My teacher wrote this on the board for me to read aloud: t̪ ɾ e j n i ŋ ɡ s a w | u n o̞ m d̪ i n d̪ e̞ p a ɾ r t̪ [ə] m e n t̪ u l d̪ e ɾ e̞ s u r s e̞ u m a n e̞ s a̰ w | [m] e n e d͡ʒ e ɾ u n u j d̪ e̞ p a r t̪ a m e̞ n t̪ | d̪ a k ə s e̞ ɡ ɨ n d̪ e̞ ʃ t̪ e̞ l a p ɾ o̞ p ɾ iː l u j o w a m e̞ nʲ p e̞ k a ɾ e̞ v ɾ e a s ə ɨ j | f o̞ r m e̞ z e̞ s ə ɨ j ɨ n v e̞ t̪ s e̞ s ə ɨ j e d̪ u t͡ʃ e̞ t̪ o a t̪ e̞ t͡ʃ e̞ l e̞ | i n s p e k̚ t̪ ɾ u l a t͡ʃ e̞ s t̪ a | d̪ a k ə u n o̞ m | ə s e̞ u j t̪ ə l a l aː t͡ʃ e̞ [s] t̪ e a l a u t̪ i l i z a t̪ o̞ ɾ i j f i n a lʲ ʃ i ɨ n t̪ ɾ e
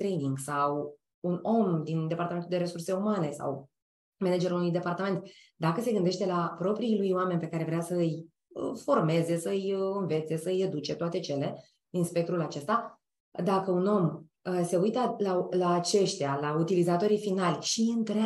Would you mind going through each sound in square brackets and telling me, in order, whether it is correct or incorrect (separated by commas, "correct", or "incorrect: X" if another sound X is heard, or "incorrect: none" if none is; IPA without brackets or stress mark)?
incorrect: a, correct, incorrect: ʃ